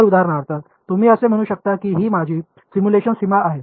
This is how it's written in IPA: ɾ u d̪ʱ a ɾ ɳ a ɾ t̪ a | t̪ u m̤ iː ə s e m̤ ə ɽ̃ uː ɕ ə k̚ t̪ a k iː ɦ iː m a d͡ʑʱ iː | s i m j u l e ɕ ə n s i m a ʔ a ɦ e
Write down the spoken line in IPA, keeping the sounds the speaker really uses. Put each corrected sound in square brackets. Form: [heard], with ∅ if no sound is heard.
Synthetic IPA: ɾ u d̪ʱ a ɾ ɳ a ɾ t̪ a | t̪ u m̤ iː ə s e m̤ ə ɽ̃ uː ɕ ə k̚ t̪ a k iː ɦ iː m a d͡ʑʱ iː | s i m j u l e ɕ ə n s i m a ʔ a ɦ e